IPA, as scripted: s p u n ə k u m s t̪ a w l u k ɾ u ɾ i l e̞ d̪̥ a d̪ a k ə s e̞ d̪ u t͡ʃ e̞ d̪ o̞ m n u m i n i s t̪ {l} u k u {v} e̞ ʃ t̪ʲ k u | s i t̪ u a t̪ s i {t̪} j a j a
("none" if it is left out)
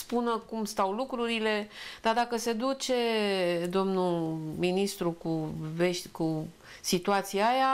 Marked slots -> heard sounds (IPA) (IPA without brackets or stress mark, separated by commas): ɾ, v, none